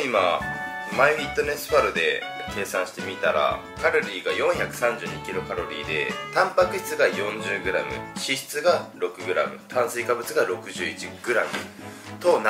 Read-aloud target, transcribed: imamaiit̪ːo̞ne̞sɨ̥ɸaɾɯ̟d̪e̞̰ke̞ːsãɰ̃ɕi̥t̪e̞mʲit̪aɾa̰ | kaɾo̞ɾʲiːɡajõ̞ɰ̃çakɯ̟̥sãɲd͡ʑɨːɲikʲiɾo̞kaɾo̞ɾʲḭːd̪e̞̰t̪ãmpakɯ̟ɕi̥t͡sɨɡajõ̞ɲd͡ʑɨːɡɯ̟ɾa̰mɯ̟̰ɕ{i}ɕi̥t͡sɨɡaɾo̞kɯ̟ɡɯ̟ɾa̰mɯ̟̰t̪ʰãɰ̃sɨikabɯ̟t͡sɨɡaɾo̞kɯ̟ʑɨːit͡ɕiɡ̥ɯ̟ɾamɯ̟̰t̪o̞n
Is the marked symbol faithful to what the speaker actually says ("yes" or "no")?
yes